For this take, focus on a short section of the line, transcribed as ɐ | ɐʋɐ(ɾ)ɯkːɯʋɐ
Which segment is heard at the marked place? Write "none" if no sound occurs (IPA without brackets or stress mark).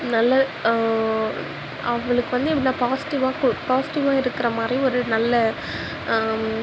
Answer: ɭ